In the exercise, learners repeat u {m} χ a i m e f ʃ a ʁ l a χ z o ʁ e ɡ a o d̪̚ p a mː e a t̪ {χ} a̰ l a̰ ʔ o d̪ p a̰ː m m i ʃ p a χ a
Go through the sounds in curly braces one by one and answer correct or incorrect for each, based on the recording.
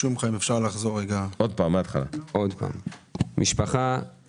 correct, correct

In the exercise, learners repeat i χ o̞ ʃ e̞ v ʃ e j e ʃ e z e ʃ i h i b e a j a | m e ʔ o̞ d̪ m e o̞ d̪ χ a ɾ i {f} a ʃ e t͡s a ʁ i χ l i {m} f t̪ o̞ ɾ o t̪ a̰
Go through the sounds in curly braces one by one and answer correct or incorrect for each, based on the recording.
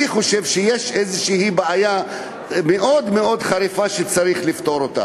correct, incorrect: none

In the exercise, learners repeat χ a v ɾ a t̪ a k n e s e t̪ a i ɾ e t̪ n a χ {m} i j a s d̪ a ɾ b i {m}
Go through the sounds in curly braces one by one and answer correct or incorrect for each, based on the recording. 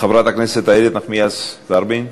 correct, incorrect: n

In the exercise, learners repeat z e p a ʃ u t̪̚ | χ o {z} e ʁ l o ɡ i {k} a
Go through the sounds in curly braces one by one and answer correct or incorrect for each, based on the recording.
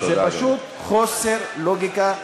incorrect: s, correct

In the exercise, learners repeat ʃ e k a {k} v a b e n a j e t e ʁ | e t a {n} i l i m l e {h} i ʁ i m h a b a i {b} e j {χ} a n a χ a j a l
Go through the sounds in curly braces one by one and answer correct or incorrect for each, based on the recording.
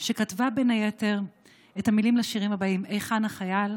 incorrect: t, incorrect: m, incorrect: ʃ, incorrect: m, correct

